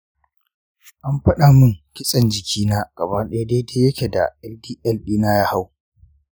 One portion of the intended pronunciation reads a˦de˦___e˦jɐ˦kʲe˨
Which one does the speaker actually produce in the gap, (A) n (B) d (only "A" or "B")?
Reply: B